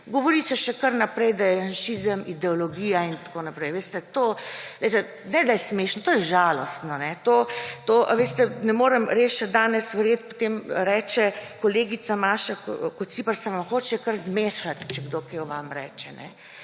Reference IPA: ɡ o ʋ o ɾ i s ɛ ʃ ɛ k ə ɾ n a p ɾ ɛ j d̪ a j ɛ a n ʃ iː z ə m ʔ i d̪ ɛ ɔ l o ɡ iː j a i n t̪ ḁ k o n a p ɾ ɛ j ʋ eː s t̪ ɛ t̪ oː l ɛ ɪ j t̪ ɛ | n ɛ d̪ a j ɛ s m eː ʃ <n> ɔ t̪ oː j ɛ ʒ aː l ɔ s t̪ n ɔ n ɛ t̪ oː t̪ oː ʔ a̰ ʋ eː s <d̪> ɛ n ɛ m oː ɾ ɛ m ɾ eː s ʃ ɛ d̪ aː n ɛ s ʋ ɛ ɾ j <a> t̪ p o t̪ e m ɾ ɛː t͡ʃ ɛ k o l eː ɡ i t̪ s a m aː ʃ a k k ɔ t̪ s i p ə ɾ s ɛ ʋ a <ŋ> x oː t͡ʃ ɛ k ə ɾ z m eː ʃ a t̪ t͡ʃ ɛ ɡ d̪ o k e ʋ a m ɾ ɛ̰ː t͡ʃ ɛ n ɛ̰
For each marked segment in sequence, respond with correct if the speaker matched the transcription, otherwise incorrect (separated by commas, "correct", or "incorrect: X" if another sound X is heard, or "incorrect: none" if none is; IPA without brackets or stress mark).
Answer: correct, incorrect: t̪, incorrect: e, incorrect: m